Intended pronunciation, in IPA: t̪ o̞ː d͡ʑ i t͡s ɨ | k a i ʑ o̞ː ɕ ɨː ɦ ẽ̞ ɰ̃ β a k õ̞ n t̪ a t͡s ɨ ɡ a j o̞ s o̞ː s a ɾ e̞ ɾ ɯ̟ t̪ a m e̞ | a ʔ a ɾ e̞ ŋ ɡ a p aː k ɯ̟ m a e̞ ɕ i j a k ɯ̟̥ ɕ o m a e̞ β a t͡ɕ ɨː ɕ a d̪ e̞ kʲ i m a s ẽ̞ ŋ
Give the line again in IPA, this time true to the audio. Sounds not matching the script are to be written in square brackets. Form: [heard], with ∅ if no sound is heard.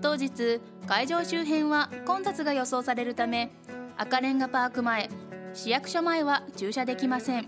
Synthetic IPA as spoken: t̪ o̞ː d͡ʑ i t͡s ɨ | k a i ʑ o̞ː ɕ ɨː ɦ ẽ̞ ɰ̃ β a k õ̞ n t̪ a t͡s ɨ ɡ a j o̞ s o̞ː s a ɾ e̞ ɾ ɯ̟ t̪ a m e̞ | a [k] a ɾ [ẽ̞] ŋ ɡ a p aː k ɯ̟ m a e̞ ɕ i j a k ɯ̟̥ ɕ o m a e̞ β a t͡ɕ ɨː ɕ a d̪ e̞ kʲ i m a s ẽ̞ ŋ